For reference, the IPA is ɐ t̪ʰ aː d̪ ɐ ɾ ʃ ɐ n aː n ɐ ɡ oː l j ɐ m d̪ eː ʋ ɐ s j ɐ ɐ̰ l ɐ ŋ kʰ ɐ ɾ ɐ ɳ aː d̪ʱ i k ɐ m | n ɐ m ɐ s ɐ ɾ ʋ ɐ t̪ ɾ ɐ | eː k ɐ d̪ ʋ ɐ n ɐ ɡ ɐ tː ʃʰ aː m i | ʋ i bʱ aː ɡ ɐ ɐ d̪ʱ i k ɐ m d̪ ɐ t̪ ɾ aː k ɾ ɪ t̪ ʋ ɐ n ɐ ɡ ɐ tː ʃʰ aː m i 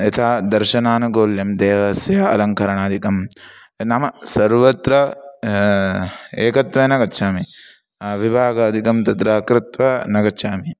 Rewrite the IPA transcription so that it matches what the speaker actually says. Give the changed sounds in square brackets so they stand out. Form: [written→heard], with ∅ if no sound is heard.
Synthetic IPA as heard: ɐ t̪ʰ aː d̪ ɐ ɾ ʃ ɐ n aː n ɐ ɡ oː l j ɐ m d̪ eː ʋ ɐ s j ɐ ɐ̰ l ɐ ŋ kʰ ɐ ɾ ɐ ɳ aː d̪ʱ i k ɐ m | n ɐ m ɐ s ɐ ɾ ʋ ɐ t̪ ɾ ɐ | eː k ɐ [d̪→t̪] ʋ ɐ n ɐ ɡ ɐ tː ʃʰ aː m i | ʋ i bʱ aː ɡ ɐ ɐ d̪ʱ i k ɐ m [d̪→t̪] ɐ t̪ ɾ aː k ɾ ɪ t̪ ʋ ɐ n ɐ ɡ ɐ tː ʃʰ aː m i